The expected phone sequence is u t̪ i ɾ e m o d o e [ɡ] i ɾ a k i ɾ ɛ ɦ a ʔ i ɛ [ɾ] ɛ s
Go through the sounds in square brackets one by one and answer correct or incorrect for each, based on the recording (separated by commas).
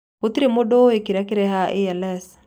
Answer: incorrect, incorrect